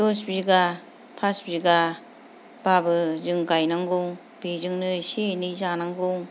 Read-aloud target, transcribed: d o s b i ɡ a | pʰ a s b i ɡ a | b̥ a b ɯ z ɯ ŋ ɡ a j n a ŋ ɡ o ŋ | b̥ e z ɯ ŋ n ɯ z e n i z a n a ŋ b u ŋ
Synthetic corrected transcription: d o s b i ɡ a | pʰ a s b i ɡ a | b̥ a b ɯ z ɯ ŋ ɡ a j n a ŋ ɡ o ŋ | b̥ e z ɯ ŋ n ɯ s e n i z a n a ŋ ɡ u ŋ